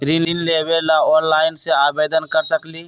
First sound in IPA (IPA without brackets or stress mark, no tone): ɾ